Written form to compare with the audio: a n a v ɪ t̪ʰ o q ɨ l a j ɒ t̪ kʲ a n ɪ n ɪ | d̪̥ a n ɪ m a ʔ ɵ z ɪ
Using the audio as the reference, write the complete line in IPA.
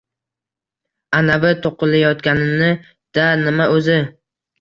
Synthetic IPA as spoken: a n a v ɪ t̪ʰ o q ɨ l a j ɒ t̪ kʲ a n ɪ n ɪ | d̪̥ a n ɪ m a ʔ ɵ z ɪ

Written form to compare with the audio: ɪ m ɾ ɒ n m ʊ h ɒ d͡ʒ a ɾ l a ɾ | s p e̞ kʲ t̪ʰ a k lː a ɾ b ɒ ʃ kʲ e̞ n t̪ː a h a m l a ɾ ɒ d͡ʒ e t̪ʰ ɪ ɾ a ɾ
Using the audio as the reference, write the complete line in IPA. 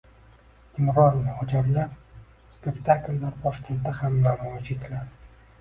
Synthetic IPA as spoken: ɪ m ɾ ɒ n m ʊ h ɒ d͡ʒ a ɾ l a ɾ | s p e̞ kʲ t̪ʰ a k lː a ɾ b ɒ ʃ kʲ e̞ n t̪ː a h a m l a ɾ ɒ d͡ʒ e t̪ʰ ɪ l a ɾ

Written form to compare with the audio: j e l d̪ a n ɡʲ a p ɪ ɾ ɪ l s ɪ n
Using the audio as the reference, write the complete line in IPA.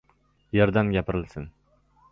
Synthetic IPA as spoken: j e ɾ d̪ a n ɡʲ a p ɪ ɾ ɪ l s ɪ n

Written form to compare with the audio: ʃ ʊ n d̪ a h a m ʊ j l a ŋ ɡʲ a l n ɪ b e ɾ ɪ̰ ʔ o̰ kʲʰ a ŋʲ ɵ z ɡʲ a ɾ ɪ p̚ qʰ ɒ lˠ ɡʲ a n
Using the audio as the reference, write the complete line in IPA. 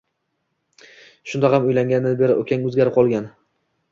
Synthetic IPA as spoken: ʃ ʊ n d̪ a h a m ʊ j l a ŋ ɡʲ a n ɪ b e ɾ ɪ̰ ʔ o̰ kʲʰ a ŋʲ ɵ z ɡʲ a ɾ ɪ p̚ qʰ ɒ lˠ ɡʲ a n

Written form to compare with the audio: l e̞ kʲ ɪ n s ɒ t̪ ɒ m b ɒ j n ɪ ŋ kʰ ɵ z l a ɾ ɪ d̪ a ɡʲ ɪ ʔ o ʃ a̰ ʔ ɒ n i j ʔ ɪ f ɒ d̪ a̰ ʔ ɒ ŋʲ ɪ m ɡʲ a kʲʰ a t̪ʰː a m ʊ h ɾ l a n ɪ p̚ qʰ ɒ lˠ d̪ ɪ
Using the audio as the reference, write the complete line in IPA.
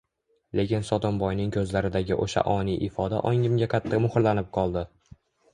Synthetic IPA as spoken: l e̞ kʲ ɪ n s ɒ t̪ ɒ m b ɒ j n ɪ ŋ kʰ ɵ z l a ɾ ɪ d̪ a ɡʲ ɪ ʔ o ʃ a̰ ʔ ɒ n i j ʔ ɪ f ɒ d̪ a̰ ʔ ɒ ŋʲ ɪ m ɡʲ a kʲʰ a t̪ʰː a m ʊ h ɾ l a n ɪ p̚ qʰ ɒ lˠ d̪ ɪ

